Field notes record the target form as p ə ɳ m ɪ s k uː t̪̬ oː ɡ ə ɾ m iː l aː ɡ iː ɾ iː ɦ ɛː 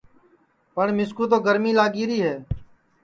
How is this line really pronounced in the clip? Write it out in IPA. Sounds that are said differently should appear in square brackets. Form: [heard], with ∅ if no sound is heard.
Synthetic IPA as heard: p ə ɳ m ɪ s k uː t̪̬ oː ɡ ə ɾ m iː l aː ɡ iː ɾ iː ɦ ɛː